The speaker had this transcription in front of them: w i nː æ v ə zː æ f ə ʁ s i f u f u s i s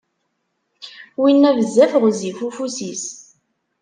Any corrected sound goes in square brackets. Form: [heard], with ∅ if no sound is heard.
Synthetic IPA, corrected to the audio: w i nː æ v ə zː æ f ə ʁ [z] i f u f u s i s